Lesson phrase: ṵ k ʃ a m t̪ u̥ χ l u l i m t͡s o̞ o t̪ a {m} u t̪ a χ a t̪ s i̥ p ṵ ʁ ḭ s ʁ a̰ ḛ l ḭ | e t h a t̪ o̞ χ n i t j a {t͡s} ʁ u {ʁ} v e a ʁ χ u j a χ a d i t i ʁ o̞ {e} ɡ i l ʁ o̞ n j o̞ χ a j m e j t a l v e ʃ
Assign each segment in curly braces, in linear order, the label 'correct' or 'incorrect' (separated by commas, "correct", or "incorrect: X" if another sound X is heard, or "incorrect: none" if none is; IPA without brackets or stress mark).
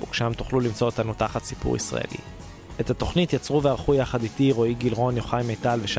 incorrect: n, correct, incorrect: none, incorrect: i